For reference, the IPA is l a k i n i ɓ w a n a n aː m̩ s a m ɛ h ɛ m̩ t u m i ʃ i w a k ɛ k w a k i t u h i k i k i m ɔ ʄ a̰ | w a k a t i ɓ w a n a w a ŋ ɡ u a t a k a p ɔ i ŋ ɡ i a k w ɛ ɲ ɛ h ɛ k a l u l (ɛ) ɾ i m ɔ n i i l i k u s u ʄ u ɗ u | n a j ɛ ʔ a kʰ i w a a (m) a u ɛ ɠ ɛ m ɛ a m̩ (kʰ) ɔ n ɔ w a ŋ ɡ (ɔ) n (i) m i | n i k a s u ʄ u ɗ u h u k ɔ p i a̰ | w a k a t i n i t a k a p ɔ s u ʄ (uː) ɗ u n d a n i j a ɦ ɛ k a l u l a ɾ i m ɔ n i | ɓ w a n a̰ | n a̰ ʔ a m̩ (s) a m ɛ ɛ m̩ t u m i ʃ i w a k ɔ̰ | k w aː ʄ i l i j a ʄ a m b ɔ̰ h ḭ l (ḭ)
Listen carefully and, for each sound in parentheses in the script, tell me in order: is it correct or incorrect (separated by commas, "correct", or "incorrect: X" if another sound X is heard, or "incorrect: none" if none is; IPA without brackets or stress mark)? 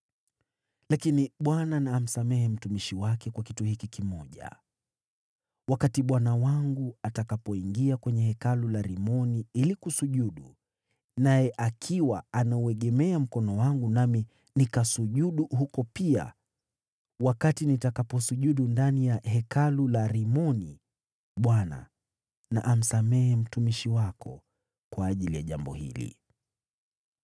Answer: incorrect: a, incorrect: n, incorrect: k, incorrect: u, incorrect: a, incorrect: u, correct, correct